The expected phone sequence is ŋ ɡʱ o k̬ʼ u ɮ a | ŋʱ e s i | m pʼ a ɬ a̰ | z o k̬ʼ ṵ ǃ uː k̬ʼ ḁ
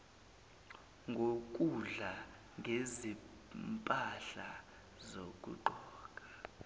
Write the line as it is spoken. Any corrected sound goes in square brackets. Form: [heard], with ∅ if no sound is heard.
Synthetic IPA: ŋ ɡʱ o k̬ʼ u ɮ a | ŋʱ e [z] i | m pʼ a ɬ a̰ | z o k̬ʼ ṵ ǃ [ɔː] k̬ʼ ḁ

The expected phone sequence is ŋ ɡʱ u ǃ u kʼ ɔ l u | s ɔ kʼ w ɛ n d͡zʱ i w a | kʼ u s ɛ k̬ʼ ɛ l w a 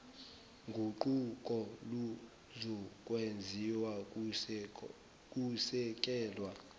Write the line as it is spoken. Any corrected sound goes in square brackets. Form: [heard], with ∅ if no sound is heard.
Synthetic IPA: ŋ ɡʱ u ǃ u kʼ ɔ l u | [z] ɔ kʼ w [e] n d͡zʱ i w a | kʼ u s ɛ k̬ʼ [ɛː] l w a

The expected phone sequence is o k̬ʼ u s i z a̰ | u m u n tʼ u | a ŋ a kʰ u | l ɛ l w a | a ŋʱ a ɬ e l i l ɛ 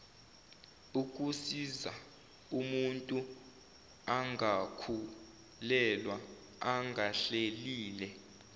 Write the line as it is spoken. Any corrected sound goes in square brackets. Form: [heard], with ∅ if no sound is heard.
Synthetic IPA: [u] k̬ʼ u s i z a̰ | u m u n tʼ u | a ŋ a kʰ u | l ɛ l w a | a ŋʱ a ɬ e l [iː] l ɛ

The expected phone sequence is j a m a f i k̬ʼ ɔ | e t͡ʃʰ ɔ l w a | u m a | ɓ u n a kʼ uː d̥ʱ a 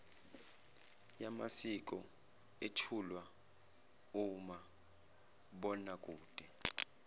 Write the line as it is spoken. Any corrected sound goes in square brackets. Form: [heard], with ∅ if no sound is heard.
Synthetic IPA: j a m a [s] i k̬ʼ ɔ | e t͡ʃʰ [u] l w a | u m a | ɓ [ɔ] n a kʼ uː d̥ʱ [ɛ]

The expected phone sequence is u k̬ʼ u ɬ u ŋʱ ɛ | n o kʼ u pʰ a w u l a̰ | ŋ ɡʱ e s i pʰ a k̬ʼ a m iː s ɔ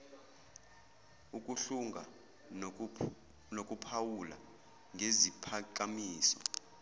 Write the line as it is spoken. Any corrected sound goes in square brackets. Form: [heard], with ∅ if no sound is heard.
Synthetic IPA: u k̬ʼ u ɬ u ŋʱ [a] | n o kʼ u pʰ a w u l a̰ | ŋ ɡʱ e [z] i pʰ a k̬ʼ a m iː s ɔ

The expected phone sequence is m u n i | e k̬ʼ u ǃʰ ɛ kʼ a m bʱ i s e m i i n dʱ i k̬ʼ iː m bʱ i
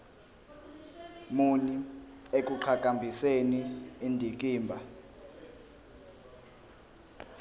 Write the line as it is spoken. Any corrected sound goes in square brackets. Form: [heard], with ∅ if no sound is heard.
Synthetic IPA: m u n i | e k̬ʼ u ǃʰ [a] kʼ a m bʱ i s e [n] i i n dʱ i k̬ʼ iː m bʱ [a]

